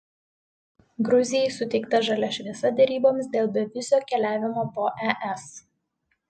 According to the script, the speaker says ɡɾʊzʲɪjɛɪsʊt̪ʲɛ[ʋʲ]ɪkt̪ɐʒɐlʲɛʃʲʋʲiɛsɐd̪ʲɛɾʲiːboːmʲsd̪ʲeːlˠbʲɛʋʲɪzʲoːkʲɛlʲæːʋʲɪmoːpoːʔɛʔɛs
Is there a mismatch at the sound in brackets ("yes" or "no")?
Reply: yes